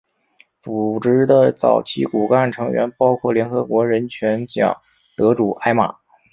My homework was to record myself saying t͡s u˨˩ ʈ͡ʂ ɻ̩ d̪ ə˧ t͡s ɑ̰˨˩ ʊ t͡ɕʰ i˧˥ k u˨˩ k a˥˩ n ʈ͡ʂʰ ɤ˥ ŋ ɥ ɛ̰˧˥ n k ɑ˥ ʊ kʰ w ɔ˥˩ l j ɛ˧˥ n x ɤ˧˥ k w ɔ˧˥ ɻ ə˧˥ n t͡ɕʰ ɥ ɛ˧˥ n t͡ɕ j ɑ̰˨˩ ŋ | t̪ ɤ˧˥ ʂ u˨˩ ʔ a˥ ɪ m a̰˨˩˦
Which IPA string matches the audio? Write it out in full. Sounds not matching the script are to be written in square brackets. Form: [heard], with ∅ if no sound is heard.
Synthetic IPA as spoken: t͡s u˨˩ ʈ͡ʂ ɻ̩ d̪ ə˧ t͡s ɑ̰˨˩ ʊ t͡ɕʰ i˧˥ k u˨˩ k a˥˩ n ʈ͡ʂʰ [ɤ˧˥] ŋ ɥ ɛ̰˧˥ n [p] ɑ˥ ʊ kʰ w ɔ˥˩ l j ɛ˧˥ n x ɤ˧˥ k w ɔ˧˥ ɻ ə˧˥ n t͡ɕʰ ɥ ɛ˧˥ n t͡ɕ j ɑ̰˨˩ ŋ | t̪ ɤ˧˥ [ʈ͡ʂ] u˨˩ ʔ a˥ ɪ m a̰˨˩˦